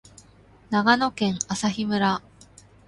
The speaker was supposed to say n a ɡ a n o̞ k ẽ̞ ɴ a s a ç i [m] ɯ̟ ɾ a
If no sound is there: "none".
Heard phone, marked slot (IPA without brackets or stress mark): m